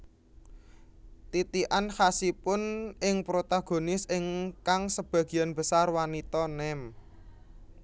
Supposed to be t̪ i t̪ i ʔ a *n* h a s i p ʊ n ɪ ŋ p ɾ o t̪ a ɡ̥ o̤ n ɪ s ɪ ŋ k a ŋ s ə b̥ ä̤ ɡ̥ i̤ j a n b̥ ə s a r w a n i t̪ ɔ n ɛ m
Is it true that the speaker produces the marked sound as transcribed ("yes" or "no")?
yes